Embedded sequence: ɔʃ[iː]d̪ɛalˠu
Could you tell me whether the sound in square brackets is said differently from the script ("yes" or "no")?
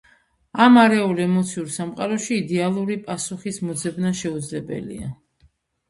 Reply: no